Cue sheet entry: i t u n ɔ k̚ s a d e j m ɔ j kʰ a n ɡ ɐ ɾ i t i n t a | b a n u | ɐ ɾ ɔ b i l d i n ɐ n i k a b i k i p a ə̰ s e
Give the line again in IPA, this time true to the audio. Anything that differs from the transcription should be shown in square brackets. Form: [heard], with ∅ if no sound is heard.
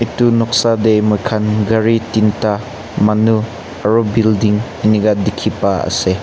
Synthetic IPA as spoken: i t u n ɔ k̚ s a d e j m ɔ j kʰ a n ɡ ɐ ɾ i t i n t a | [m] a n u | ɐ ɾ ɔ b i l d i [ŋ] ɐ n i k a [d] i [kʰ] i p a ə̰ s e